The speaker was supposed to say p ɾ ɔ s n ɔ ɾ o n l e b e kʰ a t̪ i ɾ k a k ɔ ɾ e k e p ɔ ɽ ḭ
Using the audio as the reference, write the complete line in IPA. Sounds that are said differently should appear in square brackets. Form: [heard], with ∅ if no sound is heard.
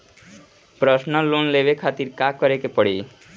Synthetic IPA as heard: p ɾ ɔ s n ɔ [l] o n l e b e kʰ a t̪ i ɾ k a k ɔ ɾ e k e p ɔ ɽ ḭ